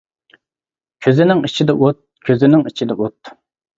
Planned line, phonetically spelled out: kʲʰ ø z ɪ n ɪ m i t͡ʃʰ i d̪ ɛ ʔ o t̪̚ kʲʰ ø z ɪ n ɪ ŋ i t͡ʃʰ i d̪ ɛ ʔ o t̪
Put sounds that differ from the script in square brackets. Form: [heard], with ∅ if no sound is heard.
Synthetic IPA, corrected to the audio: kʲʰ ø z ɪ n ɪ [ŋ] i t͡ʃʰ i d̪ ɛ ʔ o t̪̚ kʲʰ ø z ɪ n ɪ ŋ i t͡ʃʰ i d̪ ɛ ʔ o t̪